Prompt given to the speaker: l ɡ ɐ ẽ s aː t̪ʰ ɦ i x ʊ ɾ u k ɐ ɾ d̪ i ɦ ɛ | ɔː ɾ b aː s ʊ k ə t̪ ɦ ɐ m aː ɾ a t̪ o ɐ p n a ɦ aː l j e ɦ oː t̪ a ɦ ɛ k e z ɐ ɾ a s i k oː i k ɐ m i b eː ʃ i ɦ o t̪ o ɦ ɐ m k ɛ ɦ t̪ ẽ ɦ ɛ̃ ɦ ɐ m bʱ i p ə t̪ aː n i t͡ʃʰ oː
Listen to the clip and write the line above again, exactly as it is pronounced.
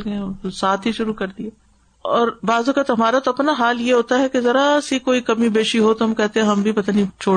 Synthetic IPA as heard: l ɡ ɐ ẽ s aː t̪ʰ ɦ i ʃ ʊ ɾ u k ɐ ɾ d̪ i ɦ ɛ | ɔː ɾ b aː z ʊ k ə t̪ ɦ ɐ m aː ɾ a t̪ o ɐ p n a ɦ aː l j e ɦ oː t̪ a ɦ ɛ k e z ɐ ɾ a s i k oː i k ɐ m i b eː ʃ i ɦ o t̪ o ɦ ɐ m k ɛ ɦ t̪ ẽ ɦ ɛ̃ ɦ ɐ m bʱ i p ɐ t̪ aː n i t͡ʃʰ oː